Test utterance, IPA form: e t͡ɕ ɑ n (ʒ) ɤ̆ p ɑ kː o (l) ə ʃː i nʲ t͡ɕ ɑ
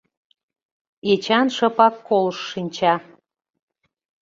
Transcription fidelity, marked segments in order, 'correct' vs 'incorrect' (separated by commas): incorrect, correct